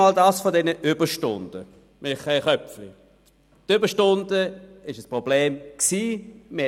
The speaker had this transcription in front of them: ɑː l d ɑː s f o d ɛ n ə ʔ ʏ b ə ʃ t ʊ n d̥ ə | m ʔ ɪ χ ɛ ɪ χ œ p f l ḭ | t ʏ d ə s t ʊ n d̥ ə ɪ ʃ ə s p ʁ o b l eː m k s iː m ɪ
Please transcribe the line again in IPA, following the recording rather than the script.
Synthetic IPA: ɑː l d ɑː s f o d ɛ n ə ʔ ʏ b ə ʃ t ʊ n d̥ ə | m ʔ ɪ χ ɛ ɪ χ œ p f l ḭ | t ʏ b ə ʃ t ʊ n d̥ ə ɪ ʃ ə s p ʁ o b l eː m k s iː m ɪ